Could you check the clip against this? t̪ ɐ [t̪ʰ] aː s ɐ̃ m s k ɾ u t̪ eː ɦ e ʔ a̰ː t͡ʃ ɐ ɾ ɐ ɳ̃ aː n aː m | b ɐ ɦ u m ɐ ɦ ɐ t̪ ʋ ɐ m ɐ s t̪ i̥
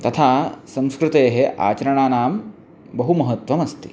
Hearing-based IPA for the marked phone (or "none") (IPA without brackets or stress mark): t̪ʰ